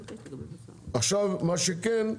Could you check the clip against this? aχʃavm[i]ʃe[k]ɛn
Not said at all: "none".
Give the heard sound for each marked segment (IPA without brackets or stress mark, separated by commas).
a, k